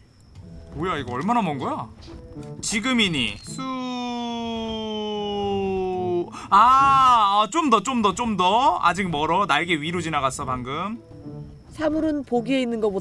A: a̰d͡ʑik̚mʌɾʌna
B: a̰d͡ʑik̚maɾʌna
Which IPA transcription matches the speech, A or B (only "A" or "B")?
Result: A